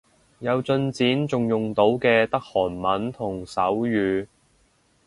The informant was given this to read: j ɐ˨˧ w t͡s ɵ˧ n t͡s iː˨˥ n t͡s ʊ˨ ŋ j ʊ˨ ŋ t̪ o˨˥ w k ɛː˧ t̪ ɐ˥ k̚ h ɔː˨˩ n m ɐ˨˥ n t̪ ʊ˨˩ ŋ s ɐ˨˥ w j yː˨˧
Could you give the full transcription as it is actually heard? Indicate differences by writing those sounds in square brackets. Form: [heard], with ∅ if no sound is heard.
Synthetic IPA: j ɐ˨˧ w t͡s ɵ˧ n t͡s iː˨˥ n t͡s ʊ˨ ŋ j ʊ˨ ŋ t̪ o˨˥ w k ɛː˧ t̪ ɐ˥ k̚ h ɔː˨˩ n m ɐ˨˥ n [t̪ʰ] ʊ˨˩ ŋ s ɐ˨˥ w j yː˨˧